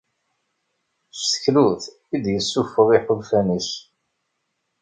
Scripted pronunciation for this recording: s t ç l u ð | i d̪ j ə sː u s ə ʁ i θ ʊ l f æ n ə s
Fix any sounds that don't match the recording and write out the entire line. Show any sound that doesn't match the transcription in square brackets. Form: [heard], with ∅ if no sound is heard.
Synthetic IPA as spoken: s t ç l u [θ] | i d̪ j ə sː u [f] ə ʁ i [ħ] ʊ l f æ n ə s